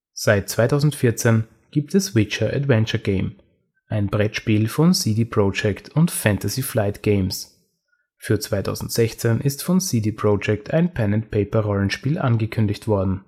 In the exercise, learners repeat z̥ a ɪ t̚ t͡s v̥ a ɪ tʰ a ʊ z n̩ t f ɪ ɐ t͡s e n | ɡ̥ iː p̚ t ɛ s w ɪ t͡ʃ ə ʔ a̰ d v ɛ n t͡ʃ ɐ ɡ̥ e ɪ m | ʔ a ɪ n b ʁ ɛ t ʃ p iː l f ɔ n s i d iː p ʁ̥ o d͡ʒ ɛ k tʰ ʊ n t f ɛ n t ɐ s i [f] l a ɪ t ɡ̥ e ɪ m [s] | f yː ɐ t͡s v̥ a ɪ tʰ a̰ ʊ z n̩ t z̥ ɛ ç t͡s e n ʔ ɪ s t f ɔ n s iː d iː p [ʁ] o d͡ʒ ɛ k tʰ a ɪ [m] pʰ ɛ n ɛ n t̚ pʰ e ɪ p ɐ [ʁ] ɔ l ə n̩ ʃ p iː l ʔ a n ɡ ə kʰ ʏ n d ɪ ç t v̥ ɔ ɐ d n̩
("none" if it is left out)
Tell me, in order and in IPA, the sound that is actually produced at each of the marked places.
f, s, ʁ, n, ʁ

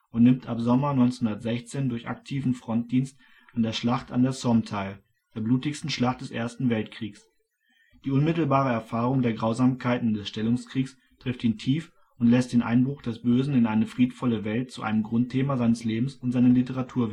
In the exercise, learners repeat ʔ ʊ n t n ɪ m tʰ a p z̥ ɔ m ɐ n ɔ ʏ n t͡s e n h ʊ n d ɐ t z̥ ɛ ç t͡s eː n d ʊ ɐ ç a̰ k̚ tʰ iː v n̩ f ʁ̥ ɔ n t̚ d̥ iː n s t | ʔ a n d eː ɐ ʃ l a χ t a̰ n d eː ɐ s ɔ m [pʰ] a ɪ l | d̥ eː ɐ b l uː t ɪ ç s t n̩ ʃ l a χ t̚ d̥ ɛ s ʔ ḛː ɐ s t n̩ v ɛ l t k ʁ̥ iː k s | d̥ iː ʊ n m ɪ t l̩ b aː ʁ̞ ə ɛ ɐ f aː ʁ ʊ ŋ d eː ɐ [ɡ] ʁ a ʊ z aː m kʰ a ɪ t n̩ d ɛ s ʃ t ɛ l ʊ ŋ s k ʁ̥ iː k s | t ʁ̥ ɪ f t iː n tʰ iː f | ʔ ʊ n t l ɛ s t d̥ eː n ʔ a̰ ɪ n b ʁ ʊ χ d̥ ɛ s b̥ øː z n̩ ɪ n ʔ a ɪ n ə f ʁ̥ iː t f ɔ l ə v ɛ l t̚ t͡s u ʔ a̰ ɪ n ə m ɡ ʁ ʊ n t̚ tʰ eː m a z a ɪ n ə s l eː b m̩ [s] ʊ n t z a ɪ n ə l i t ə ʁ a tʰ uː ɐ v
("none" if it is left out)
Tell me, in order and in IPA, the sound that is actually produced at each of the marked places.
tʰ, ɡ, s

